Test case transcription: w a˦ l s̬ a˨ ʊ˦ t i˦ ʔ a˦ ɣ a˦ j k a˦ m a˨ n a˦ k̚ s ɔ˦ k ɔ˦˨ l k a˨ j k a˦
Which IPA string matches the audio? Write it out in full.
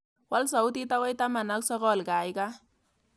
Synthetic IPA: w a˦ l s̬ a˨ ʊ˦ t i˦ t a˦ w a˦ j t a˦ m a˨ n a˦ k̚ s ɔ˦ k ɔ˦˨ l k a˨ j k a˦